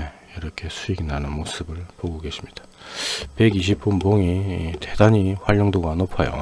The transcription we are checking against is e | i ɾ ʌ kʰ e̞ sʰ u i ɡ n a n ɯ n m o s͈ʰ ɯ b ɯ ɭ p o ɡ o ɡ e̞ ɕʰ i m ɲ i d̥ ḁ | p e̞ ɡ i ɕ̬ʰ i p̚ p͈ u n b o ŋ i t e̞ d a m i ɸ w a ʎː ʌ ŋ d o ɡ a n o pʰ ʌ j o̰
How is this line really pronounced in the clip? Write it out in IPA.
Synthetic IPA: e | i ɾ ʌ kʰ e̞ sʰ u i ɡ n a n ɯ n m o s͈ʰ ɯ b ɯ ɭ p o ɡ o ɡ e̞ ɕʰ i m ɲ i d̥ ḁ | p e̞ ɡ i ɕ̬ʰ i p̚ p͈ u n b o ŋ i t e̞ d a ɲ i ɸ w a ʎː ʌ ŋ d o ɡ a n o pʰ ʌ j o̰

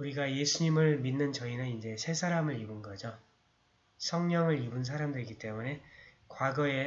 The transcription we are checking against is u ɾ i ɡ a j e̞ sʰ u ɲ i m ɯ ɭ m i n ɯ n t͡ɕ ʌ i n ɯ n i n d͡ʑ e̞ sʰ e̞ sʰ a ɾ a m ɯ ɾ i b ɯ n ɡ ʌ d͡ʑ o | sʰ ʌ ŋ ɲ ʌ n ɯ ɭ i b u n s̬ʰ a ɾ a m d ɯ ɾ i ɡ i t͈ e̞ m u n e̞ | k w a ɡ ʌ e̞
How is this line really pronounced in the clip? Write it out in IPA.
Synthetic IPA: u ɾ i ɡ a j e̞ sʰ u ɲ i m ɯ ɭ m i nː ɯ n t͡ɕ ʌ i n ɯ n i n d͡ʑ e̞ sʰ e̞ sʰ a ɾ a m ɯ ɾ i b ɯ n ɡ ʌ d͡ʑ o | sʰ ʌ ŋ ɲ ʌ ŋ ɯ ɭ i b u n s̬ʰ a ɾ a m d ɯ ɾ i ɡ i t͈ e̞ m u n e̞ | k w a ɡ ʌ e̞

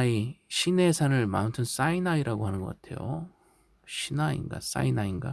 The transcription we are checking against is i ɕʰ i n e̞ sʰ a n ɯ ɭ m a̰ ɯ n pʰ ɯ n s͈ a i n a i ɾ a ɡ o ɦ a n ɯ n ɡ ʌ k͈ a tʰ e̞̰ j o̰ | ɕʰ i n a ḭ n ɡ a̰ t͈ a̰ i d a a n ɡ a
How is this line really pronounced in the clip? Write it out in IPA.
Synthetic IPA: i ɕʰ i n e̞ sʰ a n ɯ ɭ m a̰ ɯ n tʰ ɯ n s͈ a i n a i ɾ a ɡ o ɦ a n ɯ n ɡ ʌ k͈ a tʰ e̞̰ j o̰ | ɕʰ i n a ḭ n ɡ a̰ s͈ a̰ i n a i n ɡ a

